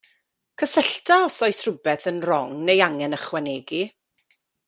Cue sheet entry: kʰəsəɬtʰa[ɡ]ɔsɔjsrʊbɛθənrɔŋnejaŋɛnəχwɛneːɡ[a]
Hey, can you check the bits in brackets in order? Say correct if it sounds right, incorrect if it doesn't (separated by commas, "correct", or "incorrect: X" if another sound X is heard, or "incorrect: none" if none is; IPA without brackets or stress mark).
incorrect: none, incorrect: i